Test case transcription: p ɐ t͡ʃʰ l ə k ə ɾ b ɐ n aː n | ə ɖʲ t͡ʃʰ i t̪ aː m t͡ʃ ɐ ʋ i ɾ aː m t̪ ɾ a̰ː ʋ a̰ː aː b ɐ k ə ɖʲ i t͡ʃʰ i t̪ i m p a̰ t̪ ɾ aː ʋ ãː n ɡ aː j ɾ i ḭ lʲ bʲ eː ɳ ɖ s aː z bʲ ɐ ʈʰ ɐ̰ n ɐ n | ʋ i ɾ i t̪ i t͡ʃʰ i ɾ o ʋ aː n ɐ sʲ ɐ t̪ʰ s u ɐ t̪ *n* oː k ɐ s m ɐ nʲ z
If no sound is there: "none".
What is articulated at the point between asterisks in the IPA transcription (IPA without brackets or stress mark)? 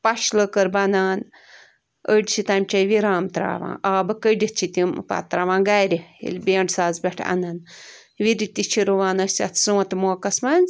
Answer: m